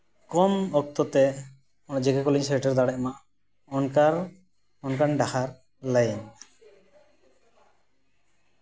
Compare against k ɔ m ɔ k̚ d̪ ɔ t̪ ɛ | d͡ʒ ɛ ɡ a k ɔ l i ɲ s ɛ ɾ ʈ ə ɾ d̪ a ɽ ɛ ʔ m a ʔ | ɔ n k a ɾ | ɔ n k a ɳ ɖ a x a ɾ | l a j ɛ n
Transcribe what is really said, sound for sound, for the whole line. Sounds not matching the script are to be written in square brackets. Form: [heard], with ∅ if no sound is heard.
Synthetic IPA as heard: k ɔ m ɔ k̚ [t̪] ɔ t̪ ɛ | d͡ʒ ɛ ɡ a k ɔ l i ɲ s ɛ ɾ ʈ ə ɾ d̪ a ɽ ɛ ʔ m a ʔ | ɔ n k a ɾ | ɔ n k a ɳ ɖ a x a ɾ | l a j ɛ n